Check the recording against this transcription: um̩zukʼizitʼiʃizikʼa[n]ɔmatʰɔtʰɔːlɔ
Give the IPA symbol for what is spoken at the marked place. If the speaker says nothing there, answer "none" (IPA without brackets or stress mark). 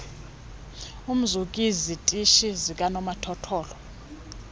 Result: n